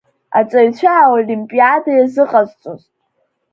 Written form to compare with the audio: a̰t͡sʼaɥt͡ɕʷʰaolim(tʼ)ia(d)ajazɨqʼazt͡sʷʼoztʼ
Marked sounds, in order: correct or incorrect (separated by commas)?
incorrect, correct